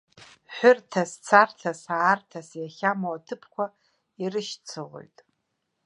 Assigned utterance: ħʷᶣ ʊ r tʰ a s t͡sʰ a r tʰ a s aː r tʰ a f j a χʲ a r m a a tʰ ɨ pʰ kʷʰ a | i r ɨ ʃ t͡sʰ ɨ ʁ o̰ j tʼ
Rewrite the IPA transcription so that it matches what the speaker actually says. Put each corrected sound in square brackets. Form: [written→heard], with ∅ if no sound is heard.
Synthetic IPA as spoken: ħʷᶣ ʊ r tʰ a s t͡sʰ a r tʰ a s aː r tʰ a [f→s] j a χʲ a [r→∅] m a a tʰ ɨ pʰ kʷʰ a | i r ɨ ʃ t͡sʰ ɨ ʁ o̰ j tʼ

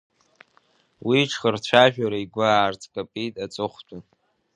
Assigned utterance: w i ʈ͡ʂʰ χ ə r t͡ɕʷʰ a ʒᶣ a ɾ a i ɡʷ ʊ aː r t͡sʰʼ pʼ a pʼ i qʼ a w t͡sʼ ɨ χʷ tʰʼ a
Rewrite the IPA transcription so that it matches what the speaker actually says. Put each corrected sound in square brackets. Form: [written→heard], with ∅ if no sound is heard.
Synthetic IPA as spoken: w i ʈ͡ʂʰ χ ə r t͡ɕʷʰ a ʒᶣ a ɾ a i ɡʷ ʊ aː r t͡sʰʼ [pʼ→kʼ] a pʼ i [qʼ→tʼ] a [w→∅] t͡sʼ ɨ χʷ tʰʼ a

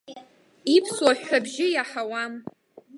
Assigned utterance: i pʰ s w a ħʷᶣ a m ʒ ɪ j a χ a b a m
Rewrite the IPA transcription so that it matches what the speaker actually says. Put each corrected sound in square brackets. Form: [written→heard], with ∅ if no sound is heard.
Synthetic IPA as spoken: i pʰ s w a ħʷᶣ a [m→b] ʒ ɪ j a [χ→ħ] a [b→w] a m

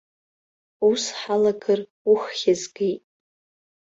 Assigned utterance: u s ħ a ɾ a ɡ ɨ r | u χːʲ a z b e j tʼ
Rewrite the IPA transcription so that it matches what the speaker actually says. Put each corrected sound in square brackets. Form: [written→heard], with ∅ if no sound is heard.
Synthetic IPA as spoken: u s ħ a [ɾ→l] a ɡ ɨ r | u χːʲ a z [b→ɡ] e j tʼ

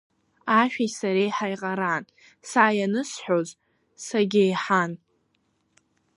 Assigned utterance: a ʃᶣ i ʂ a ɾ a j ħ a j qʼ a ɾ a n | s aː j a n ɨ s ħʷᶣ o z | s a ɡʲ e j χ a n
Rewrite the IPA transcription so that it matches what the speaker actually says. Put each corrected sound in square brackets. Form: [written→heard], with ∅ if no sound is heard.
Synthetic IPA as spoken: a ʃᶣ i [ʂ→s] a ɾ [a→e] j ħ a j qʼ a ɾ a n | s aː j a n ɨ s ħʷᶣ o z | s a ɡʲ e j [χ→ħ] a n

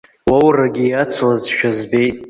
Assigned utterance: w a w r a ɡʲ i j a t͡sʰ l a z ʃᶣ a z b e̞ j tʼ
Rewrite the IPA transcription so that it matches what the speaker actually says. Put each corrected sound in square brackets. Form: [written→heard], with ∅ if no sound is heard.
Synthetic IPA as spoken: w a w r a ɡʲ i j a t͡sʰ l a z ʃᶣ a z b e̞ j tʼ

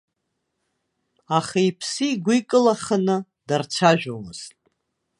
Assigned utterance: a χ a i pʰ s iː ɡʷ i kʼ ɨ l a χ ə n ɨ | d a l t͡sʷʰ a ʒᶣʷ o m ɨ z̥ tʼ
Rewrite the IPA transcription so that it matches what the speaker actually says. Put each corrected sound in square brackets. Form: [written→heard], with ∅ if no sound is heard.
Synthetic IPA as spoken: a χ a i pʰ s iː ɡʷ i kʼ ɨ l a χ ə n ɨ | d a [l→r] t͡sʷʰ a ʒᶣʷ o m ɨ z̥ tʼ

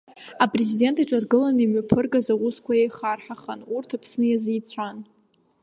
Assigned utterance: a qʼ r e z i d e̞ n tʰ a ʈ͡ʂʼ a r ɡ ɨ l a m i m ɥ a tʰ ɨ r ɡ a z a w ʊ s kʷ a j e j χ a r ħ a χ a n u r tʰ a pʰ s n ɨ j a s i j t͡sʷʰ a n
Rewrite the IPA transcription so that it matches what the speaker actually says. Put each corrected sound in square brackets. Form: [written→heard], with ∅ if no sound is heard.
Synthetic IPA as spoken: a [qʼ→pʼ] r e z i d e̞ n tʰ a ʈ͡ʂʼ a r ɡ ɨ l a [m→n] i m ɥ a [tʰ→pʰ] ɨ r ɡ a z a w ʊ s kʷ a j e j χ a r ħ a χ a n u r tʰ a pʰ s n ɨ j a [s→z] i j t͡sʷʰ a n

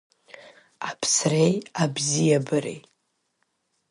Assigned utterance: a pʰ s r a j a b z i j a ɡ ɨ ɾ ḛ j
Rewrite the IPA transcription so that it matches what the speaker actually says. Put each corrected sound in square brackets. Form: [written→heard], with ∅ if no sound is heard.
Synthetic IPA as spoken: a pʰ s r [a→e] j a b z i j a [ɡ→b] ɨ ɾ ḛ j

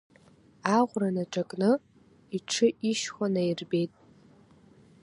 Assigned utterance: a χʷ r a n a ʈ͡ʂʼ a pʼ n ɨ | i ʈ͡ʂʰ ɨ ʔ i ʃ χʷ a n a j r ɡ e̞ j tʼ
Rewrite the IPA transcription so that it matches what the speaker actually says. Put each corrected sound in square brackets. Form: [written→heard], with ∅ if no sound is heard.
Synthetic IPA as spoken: a [χʷ→ʁʷ] r a n a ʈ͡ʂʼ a [pʼ→kʼ] n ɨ | i ʈ͡ʂʰ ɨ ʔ i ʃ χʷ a n a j r [ɡ→b] e̞ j tʼ

